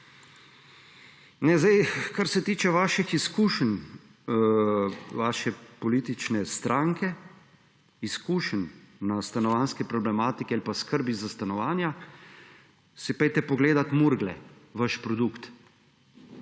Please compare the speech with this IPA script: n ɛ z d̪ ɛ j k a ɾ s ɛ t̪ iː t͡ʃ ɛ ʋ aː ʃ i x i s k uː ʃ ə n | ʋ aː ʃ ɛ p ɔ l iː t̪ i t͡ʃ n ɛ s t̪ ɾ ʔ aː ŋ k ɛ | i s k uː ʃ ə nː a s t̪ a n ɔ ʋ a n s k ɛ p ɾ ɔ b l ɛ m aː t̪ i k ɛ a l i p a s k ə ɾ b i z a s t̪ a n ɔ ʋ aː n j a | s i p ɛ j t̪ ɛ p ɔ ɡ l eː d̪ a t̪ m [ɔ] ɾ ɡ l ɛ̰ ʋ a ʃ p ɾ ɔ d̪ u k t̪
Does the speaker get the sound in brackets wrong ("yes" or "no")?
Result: yes